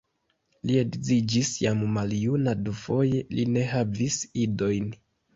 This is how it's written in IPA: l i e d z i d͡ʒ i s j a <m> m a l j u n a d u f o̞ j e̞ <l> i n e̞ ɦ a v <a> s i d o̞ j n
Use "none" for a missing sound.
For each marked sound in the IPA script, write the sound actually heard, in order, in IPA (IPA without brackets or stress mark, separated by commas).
m, l, i